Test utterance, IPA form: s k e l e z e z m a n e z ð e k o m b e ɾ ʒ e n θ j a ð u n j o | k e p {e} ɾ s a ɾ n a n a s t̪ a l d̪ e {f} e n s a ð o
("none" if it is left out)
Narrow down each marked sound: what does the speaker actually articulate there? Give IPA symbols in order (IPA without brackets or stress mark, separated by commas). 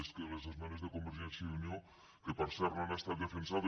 a, f